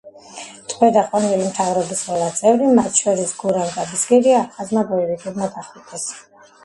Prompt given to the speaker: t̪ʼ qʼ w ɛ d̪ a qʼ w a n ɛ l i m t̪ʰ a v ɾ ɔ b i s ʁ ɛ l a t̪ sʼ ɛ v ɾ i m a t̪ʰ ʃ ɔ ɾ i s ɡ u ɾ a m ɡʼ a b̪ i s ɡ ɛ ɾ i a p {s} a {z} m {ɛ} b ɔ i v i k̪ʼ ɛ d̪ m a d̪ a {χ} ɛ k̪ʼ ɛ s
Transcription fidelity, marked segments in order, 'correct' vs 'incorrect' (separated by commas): incorrect, correct, incorrect, correct